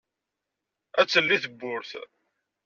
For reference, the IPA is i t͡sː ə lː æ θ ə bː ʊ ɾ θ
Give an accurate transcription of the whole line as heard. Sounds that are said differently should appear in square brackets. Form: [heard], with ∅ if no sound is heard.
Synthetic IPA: [æ] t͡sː ə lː [i] θ ə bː ʊ ɾ θ

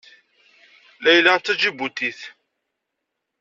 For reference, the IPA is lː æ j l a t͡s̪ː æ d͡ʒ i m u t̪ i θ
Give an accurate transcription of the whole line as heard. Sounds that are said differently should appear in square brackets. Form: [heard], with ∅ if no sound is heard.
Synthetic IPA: [l] æ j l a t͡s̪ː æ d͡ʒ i [b] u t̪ i θ

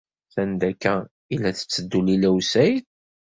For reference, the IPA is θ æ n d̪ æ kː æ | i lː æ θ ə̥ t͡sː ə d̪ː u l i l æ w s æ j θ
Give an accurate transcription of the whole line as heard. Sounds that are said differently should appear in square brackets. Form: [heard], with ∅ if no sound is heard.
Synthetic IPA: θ æ n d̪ æ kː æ | i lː æ θ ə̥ t͡sː ə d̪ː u l i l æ w s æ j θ

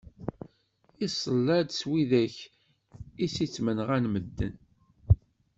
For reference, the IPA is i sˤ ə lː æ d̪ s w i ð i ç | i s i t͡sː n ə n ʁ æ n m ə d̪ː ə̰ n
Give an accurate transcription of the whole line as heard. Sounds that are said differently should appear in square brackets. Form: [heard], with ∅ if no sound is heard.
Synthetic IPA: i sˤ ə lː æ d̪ s w i ð [æ] ç | i s i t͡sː [m] ə n ʁ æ n m ə d̪ː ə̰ n

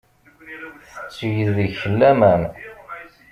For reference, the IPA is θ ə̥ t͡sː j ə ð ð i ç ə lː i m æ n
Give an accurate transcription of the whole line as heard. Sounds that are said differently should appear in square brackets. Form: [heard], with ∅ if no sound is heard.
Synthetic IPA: θ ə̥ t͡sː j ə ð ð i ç ə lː [æ] m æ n

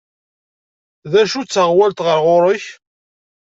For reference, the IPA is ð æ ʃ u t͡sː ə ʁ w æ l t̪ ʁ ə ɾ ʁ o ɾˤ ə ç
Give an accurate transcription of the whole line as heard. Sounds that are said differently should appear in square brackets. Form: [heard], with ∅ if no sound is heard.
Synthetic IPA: ð æ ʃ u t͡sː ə ʁ w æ l t̪ ʁ ə ɾ ʁ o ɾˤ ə ç

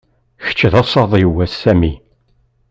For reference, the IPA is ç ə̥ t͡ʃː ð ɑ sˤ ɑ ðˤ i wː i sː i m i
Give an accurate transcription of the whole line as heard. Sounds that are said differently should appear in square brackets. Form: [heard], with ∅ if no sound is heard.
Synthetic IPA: ç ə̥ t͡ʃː ð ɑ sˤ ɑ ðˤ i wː [æ] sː [æ] m i

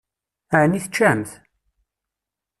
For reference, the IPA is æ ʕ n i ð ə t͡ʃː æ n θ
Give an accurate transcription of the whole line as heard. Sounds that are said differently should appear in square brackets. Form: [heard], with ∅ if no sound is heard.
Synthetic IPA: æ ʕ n i [θ] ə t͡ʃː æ [m] θ

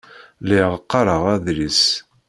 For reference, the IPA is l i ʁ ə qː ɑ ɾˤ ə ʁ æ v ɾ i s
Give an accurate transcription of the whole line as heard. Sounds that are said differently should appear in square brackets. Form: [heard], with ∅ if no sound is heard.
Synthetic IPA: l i ʁ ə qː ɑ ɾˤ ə ʁ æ [ð] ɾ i s

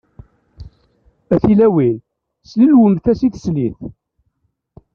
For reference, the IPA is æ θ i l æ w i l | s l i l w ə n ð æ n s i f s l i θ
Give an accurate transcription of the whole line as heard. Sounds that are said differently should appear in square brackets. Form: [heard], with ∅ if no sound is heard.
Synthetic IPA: æ θ i l æ w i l | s l i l w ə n [θ] æ [∅] s i [θ] s l i θ

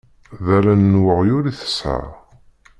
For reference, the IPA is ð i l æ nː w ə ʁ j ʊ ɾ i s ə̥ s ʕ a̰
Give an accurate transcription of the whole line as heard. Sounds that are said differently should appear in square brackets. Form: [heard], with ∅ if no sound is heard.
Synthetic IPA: ð [æ] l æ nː w ə ʁ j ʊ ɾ i [θ] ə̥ s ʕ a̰

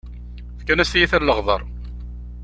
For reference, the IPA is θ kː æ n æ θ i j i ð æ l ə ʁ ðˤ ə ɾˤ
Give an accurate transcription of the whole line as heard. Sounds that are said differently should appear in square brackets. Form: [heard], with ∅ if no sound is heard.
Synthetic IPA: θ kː æ n æ [s] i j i [θ] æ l ə ʁ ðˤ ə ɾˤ

